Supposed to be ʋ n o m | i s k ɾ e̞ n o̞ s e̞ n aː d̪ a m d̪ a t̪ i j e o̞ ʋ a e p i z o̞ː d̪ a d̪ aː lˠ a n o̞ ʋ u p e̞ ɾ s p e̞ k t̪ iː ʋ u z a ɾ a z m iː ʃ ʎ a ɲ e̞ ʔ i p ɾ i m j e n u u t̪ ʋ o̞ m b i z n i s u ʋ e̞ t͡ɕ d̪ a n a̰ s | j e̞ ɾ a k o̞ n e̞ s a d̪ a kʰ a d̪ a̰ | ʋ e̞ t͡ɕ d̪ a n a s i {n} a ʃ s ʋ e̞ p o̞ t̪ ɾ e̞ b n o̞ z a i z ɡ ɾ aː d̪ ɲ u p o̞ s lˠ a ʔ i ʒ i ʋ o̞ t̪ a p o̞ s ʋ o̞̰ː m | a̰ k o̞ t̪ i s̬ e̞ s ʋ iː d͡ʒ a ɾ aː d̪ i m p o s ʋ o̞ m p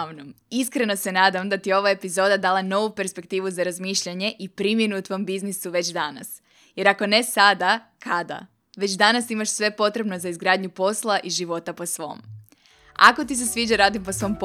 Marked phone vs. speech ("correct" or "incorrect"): incorrect